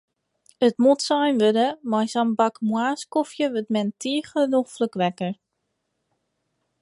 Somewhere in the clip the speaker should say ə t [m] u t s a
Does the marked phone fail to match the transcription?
no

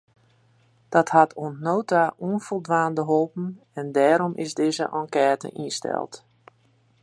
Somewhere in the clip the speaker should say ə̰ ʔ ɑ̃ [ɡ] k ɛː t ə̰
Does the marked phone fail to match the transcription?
yes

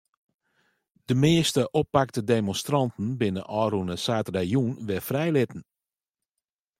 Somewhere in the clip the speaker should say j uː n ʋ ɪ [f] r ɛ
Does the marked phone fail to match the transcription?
no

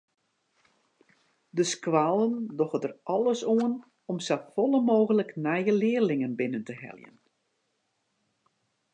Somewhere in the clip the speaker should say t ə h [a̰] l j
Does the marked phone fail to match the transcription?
yes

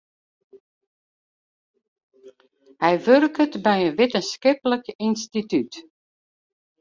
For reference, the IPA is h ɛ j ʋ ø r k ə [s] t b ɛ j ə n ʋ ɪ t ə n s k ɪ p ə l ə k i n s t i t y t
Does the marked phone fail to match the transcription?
yes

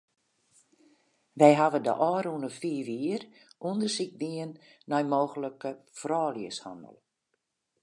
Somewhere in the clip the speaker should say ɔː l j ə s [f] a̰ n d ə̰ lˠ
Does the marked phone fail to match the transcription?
yes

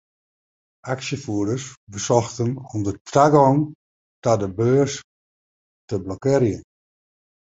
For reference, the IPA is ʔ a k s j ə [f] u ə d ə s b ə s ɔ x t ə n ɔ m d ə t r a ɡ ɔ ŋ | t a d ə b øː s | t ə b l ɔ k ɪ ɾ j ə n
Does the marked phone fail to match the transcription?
no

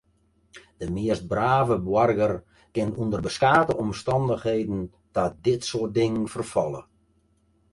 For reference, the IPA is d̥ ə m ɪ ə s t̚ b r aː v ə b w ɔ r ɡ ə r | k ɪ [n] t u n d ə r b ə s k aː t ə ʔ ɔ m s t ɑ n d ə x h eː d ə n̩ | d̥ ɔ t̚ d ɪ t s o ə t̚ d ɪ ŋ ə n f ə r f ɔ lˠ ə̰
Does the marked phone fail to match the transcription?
no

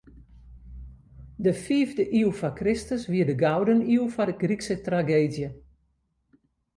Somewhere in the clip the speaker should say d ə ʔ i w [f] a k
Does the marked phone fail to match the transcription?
no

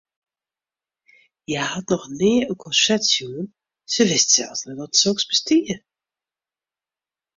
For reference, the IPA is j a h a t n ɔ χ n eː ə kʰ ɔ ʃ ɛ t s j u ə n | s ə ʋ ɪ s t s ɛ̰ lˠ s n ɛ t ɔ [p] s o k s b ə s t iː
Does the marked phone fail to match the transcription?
yes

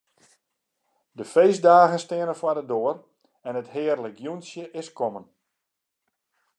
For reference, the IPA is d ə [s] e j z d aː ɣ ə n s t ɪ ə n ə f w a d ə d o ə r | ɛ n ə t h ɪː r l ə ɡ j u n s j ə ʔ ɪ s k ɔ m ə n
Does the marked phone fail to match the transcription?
yes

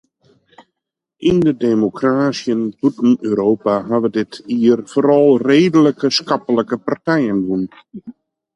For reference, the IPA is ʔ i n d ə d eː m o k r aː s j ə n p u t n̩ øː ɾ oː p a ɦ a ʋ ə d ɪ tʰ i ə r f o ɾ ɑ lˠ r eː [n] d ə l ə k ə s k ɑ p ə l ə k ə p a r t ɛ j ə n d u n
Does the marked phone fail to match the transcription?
yes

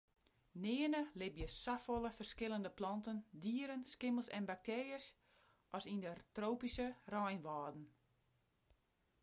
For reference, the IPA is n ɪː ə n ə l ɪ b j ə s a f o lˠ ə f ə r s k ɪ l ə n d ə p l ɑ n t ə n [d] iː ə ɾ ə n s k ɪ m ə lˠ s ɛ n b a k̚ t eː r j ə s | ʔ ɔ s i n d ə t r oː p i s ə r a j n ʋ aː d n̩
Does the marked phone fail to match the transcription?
no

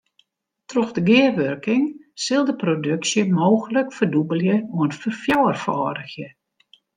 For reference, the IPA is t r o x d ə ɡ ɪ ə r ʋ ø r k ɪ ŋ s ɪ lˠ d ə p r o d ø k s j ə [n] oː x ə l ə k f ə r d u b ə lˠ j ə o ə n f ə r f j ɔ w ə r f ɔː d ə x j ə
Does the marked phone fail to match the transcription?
yes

